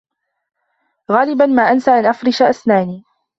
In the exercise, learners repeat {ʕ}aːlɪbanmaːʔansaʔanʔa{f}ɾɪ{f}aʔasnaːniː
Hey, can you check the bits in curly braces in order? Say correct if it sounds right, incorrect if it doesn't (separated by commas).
incorrect, correct, incorrect